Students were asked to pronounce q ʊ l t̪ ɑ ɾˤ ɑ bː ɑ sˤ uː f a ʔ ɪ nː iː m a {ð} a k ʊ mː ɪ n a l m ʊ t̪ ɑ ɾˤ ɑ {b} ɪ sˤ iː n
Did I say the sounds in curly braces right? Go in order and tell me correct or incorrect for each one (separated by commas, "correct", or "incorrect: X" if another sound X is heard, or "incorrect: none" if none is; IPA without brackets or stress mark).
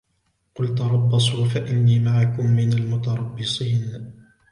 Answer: incorrect: ʕ, incorrect: bː